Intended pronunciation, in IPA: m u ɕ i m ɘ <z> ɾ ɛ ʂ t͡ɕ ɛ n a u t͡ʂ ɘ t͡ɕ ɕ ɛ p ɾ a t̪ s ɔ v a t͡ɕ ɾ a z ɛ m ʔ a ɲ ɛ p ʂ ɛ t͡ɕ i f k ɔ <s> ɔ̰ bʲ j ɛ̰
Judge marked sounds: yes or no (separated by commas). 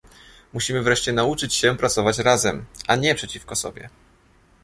no, yes